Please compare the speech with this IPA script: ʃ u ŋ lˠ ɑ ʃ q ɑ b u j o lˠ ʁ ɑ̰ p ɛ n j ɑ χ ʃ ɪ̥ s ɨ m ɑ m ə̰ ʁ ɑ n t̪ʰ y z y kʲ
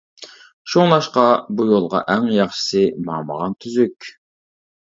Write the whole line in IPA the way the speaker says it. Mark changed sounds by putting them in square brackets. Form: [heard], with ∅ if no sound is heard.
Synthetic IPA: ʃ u ŋ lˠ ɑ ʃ q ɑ b u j o lˠ ʁ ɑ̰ [ʔ] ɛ [ŋ] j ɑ χ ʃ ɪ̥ s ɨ m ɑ m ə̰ ʁ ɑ n t̪ʰ y z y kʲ